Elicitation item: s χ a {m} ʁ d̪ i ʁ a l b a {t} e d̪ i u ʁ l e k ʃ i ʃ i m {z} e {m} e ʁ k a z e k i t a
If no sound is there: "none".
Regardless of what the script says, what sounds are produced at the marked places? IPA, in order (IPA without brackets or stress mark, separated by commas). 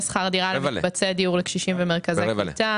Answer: none, t͡s, v, m